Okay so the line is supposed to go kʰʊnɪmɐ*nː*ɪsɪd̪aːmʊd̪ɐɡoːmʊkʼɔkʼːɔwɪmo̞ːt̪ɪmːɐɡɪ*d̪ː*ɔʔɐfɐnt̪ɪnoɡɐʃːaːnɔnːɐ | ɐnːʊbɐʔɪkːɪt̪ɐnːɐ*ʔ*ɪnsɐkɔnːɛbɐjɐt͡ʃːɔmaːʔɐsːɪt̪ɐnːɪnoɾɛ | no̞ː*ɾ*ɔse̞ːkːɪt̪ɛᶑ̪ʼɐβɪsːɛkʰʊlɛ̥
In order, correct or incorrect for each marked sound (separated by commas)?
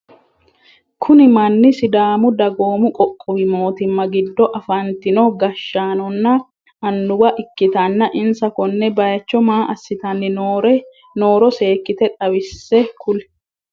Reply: correct, correct, correct, correct